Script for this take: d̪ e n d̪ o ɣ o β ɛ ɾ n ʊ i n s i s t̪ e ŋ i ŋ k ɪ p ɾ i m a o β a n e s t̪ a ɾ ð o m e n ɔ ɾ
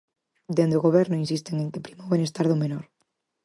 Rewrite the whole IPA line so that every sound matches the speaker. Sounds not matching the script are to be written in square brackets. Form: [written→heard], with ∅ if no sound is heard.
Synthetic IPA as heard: d̪ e n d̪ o ɣ o β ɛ ɾ n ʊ i n s i s t̪ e ŋ [i→e] ŋ k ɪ p ɾ i m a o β [a→e] n e s t̪ a ɾ ð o m e n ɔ ɾ